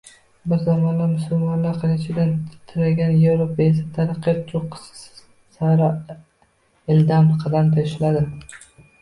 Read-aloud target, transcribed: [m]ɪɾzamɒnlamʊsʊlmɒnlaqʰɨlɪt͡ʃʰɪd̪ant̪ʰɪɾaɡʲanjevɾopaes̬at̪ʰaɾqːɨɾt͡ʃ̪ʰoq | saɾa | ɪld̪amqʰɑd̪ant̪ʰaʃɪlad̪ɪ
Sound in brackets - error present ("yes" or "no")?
yes